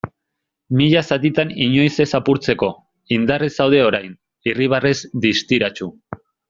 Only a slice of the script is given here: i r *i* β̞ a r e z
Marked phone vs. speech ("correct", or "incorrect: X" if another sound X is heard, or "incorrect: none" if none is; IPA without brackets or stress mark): correct